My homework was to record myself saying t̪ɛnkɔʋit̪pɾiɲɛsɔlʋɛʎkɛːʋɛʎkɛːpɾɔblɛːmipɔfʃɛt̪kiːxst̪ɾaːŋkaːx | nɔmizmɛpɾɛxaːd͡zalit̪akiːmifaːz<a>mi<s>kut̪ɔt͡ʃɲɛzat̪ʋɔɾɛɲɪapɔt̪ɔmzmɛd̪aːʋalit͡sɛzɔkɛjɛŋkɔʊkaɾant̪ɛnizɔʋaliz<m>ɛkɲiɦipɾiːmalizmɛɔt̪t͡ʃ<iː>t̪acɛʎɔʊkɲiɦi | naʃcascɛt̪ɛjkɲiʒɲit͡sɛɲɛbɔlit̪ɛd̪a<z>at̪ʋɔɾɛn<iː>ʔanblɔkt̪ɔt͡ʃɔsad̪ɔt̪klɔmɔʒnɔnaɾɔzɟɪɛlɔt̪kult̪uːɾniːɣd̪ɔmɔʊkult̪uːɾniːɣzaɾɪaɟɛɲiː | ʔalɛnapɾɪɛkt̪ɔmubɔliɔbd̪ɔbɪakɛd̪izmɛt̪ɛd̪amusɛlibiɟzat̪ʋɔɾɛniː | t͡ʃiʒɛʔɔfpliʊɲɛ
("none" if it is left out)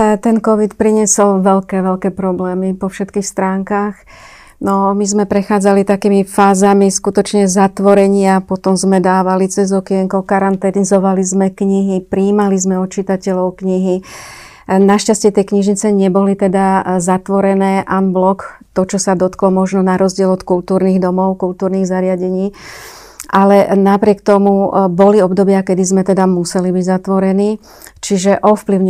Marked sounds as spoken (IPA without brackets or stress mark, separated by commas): a, s, m, i, z, ɛː